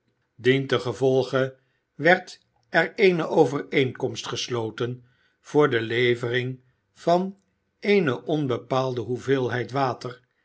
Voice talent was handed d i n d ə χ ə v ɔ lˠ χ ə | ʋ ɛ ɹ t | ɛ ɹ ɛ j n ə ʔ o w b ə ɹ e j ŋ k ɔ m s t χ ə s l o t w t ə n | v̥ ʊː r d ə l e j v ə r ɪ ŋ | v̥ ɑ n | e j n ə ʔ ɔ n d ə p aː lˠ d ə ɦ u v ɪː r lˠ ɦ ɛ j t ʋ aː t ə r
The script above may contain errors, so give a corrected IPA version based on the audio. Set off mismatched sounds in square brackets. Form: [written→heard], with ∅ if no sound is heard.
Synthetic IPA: d i n [d→t] ə χ ə v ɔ lˠ χ ə | ʋ ɛ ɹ t | ɛ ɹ [ɛ→e] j n ə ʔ o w [b→v] ə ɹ e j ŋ k ɔ m s t χ ə s l o [t→∅] w t ə n | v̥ ʊː [r→ɹ] d ə l e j v ə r ɪ ŋ | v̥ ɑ n | e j n ə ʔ ɔ n [d→b] ə p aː lˠ d ə ɦ u v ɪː [r→∅] lˠ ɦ ɛ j t ʋ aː t ə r